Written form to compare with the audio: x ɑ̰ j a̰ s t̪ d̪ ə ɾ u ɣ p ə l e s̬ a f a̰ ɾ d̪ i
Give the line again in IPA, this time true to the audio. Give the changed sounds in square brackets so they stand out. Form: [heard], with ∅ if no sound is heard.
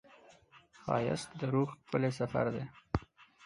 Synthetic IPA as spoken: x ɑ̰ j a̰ s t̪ d̪ ə ɾ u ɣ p ə l e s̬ a f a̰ ɾ d̪ [e]